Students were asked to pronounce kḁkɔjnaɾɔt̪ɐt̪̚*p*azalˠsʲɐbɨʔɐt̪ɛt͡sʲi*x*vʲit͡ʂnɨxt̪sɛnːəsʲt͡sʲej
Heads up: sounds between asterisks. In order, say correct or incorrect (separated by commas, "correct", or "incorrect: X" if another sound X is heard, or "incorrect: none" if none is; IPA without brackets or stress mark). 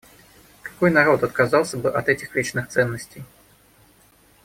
incorrect: k, correct